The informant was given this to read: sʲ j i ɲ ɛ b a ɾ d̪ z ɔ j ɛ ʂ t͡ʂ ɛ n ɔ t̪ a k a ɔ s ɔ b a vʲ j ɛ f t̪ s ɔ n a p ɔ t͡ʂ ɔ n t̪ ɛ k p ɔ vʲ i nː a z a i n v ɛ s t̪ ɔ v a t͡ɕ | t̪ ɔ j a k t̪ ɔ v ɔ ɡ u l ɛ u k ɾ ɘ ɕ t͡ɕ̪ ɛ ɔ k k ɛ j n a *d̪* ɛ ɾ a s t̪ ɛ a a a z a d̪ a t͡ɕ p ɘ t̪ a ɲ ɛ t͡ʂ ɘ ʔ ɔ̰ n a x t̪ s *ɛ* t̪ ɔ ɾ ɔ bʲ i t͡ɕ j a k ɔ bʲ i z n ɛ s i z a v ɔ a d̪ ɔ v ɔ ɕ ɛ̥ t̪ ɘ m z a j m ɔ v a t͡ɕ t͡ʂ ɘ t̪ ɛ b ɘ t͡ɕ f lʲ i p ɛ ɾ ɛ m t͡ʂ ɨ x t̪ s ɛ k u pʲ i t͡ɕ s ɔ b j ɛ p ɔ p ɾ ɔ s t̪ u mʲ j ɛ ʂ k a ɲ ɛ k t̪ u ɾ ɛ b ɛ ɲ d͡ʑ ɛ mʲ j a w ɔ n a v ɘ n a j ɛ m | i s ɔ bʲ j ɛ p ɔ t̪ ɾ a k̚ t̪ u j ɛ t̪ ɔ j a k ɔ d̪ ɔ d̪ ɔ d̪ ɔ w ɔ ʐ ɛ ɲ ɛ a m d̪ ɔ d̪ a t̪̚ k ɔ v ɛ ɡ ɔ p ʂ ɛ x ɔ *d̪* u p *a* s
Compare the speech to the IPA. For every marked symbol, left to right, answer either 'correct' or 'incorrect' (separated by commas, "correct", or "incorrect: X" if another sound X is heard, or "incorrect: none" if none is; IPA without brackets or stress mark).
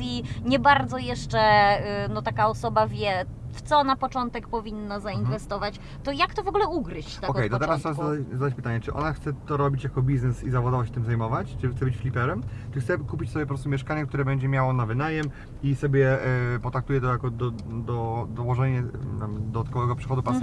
incorrect: t̪, correct, correct, correct